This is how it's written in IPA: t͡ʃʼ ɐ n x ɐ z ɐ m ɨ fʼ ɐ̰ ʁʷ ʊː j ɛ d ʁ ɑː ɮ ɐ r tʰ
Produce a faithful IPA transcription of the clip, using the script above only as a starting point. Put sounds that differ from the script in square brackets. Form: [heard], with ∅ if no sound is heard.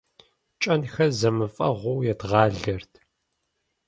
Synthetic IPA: t͡ʃʼ ɐ n x ɐ z ɐ m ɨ fʼ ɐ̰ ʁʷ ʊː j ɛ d ʁ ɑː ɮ ɐ r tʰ

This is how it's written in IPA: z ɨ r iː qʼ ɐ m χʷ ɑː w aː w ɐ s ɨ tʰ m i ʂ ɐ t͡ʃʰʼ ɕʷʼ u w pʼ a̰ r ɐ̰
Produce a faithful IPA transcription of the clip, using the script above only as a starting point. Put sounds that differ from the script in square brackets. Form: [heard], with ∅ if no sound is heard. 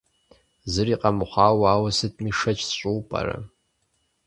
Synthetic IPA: z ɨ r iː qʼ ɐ m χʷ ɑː w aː w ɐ s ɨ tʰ m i ʂ ɐ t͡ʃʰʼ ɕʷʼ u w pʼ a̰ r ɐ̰

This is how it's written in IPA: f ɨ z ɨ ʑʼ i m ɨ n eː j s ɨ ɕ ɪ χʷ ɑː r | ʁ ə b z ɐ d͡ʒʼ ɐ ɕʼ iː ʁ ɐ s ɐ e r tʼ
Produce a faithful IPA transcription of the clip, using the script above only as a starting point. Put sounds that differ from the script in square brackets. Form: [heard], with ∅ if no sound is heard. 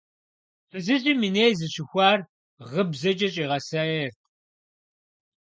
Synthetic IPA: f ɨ z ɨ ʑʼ i m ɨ n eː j [z] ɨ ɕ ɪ [xʷ] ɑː r | ʁ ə b z ɐ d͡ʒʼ ɐ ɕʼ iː ʁ ɐ s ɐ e r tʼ

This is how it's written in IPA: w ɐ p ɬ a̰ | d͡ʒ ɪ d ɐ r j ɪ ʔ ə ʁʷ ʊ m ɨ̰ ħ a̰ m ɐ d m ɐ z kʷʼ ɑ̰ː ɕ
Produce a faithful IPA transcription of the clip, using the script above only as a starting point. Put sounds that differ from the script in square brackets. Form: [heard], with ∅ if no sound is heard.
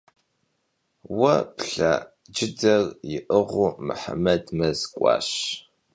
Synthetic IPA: w ɐ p ɬ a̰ | d͡ʒ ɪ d ɐ r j ɪ ʔ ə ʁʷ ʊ m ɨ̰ ħ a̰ m ɐ d m ɐ z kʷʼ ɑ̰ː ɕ

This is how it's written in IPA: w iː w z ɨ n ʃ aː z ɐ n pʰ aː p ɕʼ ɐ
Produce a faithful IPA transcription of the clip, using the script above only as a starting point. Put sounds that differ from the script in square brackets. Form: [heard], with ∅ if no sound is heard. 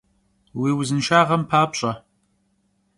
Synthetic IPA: w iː w z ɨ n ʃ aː [ʁ] ɐ [m] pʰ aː p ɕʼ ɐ

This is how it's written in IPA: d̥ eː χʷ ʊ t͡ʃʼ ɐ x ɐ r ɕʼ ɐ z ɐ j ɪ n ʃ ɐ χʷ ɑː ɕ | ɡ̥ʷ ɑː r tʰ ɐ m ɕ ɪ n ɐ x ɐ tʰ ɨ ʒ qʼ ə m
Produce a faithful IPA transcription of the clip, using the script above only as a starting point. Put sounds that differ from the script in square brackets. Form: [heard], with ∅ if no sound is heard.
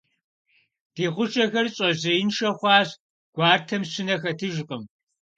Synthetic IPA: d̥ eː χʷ ʊ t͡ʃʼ ɐ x ɐ r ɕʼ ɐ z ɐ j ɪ n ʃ ɐ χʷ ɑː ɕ | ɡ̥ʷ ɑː r tʰ ɐ m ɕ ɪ n ɐ x ɐ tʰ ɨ ʒ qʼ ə m

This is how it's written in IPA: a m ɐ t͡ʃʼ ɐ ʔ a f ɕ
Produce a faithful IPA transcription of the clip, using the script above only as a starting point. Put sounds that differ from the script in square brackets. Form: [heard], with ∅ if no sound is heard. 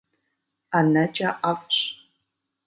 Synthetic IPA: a [n] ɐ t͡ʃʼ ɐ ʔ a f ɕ

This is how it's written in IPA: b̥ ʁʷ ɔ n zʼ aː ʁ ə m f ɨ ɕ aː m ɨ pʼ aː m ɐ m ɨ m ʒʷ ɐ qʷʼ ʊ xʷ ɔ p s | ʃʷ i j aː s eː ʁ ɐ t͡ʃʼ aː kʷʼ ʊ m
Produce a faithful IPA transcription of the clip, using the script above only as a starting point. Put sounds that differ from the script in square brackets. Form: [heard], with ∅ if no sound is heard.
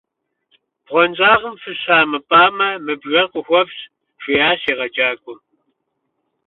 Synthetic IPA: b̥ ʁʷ ɔ n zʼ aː ʁ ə m f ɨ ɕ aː m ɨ pʼ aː m ɐ m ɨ [b] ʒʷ ɐ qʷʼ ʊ xʷ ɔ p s | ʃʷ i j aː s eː ʁ ɐ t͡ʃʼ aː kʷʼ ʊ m

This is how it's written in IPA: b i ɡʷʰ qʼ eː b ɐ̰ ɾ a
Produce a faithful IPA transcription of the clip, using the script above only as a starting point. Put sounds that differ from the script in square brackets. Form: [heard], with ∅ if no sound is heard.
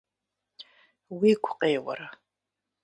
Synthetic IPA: [w] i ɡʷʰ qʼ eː [w] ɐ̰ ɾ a

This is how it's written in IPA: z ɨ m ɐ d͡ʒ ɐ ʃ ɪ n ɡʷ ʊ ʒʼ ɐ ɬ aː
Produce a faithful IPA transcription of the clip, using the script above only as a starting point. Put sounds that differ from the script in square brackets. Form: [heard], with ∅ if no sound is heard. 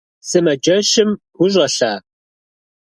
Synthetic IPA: [s] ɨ m ɐ d͡ʒ ɐ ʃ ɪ [m] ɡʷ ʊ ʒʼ ɐ ɬ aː

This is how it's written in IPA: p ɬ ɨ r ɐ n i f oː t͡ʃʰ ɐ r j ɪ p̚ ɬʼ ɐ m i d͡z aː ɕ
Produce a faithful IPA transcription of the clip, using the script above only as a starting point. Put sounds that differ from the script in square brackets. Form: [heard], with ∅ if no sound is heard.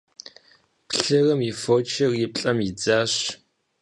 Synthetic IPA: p ɬ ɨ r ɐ [m] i f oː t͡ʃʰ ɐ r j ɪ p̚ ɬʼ ɐ m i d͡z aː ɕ

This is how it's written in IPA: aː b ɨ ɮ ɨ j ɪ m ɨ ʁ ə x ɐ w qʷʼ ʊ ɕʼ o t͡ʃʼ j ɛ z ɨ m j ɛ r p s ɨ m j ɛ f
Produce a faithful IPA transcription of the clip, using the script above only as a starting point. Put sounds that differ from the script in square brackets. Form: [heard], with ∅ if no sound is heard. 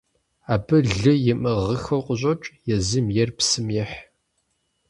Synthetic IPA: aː b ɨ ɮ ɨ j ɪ m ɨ ʁ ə x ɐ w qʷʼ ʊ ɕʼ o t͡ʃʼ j ɛ z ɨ m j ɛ r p s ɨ m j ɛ [ħ]

